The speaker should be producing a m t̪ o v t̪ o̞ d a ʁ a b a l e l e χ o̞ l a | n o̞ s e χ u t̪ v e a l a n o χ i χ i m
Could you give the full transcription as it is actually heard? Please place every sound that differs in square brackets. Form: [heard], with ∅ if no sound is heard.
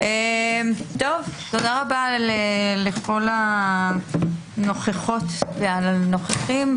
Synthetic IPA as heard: [e] m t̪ o v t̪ o̞ d a ʁ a b a l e l e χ o̞ l a | n o̞ [χ] e χ [o] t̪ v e a l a n o χ [e] χ i m